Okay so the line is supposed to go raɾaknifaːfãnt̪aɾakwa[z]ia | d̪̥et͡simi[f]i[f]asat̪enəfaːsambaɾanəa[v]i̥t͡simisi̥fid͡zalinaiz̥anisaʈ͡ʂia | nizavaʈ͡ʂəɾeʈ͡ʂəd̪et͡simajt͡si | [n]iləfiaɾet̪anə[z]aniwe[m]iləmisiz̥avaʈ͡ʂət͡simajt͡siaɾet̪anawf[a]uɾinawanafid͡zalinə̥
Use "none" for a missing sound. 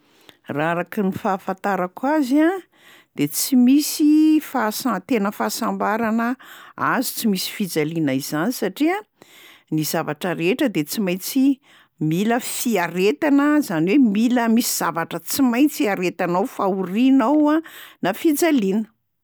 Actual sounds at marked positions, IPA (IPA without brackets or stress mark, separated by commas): z, s, f, z, m, z, m, a